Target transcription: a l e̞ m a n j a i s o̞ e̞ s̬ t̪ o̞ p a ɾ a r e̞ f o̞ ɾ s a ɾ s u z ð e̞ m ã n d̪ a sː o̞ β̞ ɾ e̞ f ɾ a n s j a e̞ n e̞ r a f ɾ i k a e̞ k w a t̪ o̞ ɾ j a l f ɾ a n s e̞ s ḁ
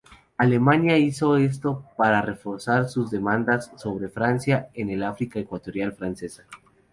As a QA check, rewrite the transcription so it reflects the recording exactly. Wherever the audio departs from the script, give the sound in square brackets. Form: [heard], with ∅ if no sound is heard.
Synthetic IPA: a l e̞ m a n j a i s o̞ e̞ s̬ t̪ o̞ p a ɾ a r e̞ f o̞ ɾ s a ɾ s u z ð e̞ m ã n d̪ a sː o̞ β̞ ɾ e̞ f ɾ a n s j a e̞ n e̞ [l] a f ɾ i k a e̞ k w a t̪ o̞ ɾ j a l f ɾ a n s e̞ s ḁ